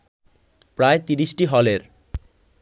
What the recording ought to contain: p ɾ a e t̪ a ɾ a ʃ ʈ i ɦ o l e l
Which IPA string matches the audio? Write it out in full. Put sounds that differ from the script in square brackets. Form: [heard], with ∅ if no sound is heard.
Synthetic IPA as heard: p ɾ a e t̪ [i] ɾ [i] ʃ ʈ i ɦ [ɔ] l e [ɾ]